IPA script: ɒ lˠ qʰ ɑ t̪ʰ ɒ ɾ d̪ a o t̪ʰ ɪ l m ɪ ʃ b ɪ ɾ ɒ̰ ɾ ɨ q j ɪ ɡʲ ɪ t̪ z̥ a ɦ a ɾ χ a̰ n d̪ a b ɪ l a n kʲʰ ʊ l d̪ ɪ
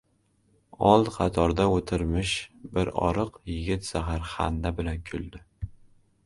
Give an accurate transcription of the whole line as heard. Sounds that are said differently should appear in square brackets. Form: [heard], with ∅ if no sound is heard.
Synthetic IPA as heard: ɒ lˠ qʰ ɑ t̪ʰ ɒ ɾ d̪ a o t̪ʰ ɪ [ɾ] m ɪ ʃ b ɪ ɾ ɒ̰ ɾ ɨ q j ɪ ɡʲ ɪ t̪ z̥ a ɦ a ɾ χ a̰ n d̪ a b ɪ l a n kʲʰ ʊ l d̪ ɪ

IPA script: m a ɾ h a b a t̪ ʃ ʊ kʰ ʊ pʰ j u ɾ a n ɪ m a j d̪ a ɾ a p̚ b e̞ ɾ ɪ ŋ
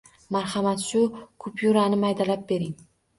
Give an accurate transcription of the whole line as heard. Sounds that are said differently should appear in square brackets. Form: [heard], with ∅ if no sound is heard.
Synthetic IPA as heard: m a ɾ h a [m] a t̪ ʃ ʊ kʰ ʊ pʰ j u ɾ a n ɪ m a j d̪ a [l] a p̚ b e̞ ɾ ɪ ŋ

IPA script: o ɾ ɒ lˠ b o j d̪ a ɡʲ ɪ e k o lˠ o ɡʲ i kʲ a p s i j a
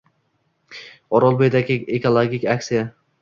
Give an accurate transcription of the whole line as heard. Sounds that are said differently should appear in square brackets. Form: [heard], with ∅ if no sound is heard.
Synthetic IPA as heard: [ɒ] ɾ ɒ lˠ b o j d̪ a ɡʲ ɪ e k o lˠ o ɡʲ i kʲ a [k] s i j a

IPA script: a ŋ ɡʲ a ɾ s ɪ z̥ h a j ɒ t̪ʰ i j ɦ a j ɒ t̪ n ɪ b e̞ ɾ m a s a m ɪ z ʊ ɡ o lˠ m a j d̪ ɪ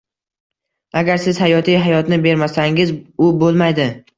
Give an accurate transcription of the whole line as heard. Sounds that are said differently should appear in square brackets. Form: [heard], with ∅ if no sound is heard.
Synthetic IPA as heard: a [∅] ɡʲ a ɾ s ɪ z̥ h a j ɒ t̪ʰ i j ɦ a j ɒ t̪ n ɪ b e̞ ɾ m a s a [ŋ] ɪ z ʊ [b] o lˠ m a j d̪ ɪ

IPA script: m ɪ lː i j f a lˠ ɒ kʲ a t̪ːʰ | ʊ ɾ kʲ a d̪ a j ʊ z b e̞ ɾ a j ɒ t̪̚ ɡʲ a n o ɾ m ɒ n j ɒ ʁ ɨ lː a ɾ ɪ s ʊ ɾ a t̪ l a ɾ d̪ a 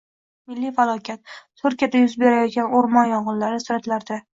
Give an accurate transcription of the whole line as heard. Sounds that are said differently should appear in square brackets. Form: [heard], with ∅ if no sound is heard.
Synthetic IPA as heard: m ɪ lː i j f a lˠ ɒ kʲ a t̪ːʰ | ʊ ɾ kʲ a d̪ a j ʊ z b e̞ ɾ a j ɒ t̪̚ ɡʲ a n o ɾ m ɒ n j ɒ ʁ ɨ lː a ɾ ɪ s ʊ ɾ a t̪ l a ɾ d̪ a

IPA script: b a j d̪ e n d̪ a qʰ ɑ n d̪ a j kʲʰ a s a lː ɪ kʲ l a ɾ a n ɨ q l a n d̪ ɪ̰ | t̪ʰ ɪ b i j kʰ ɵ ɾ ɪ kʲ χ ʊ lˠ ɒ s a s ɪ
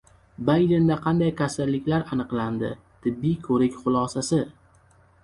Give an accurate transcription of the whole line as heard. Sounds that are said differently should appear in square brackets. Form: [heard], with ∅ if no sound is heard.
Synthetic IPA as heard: b a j d̪ e n d̪ a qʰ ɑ n d̪ a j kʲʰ a s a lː ɪ kʲ l a ɾ a n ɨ q l a n d̪ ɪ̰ | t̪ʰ ɪ [bː] i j kʰ ɵ ɾ ɪ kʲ χ ʊ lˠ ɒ s a s ɪ

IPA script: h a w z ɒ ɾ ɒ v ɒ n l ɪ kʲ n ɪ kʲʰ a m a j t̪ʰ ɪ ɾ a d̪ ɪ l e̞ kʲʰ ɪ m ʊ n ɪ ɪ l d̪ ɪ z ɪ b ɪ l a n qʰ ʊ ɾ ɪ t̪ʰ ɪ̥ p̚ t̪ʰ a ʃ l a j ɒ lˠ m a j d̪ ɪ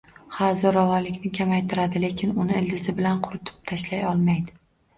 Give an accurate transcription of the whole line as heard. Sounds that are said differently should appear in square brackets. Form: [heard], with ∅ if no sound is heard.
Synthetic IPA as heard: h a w z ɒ ɾ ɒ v ɒ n l ɪ kʲ n ɪ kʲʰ a m a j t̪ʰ ɪ ɾ a d̪ ɪ l e̞ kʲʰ ɪ [n] ʊ n ɪ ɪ l d̪ ɪ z ɪ b ɪ l a n qʰ ʊ ɾ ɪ t̪ʰ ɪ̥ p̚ t̪ʰ a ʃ l a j ɒ lˠ m a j d̪ ɪ

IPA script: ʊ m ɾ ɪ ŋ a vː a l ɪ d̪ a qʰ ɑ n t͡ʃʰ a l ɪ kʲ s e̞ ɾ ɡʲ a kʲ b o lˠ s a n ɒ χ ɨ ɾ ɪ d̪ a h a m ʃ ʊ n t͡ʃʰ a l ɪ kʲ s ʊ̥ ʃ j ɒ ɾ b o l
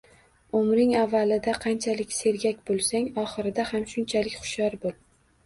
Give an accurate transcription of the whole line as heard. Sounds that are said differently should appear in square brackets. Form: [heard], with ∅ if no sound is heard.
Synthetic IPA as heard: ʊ m ɾ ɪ ŋ a vː a l ɪ d̪ a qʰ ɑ n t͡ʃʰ a l ɪ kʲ s e̞ ɾ ɡʲ a kʲ b o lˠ s a [ŋ] ɒ χ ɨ ɾ ɪ d̪ a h a m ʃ ʊ n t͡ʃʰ a l ɪ kʲ [χ] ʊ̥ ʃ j ɒ ɾ b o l

